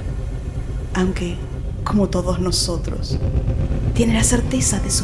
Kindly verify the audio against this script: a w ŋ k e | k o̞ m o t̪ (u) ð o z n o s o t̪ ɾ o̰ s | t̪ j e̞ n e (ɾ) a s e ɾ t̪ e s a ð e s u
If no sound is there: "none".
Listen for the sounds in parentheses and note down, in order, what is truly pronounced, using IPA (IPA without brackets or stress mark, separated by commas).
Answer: o, l